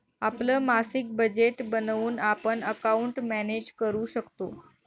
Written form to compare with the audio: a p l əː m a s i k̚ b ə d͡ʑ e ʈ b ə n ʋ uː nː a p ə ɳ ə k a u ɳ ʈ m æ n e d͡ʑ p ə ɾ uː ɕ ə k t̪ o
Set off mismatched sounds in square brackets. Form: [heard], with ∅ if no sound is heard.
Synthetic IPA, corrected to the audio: a p l əː m a s i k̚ b ə d͡ʑ e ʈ b ə n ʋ uː [n] a p ə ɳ ə k a u ɳ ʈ m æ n e d͡ʑ [k] ə ɾ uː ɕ ə k t̪ o